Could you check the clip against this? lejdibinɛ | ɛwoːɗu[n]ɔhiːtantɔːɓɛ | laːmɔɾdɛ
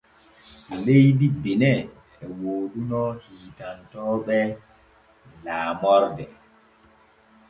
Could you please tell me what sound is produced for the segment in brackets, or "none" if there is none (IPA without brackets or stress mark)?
n